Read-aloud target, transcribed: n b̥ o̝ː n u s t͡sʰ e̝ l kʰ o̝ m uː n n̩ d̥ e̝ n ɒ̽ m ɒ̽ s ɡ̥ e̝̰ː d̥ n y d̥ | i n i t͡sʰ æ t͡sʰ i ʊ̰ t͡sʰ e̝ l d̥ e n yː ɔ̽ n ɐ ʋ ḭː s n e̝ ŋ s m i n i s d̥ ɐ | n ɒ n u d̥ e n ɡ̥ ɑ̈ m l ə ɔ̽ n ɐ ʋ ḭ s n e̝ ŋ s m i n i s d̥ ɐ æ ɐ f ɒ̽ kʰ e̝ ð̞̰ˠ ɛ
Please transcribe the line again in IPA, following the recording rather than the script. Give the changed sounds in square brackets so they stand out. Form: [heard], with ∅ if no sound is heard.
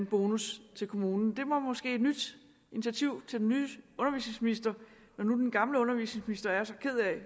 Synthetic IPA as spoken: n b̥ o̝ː n u s t͡sʰ e̝ l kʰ o̝ m uː n n̩ d̥ e̝ [m] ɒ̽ m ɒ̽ s ɡ̥ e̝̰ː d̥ n y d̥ | i n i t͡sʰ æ t͡sʰ i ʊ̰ t͡sʰ e̝ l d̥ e n yː ɔ̽ n ɐ ʋ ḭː s n e̝ ŋ s m i n i s d̥ ɐ | n ɒ n u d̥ e n ɡ̥ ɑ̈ m l ə ɔ̽ n ɐ ʋ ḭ s n e̝ ŋ s m i n i s d̥ ɐ æ ɐ [s] ɒ̽ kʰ e̝ ð̞̰ˠ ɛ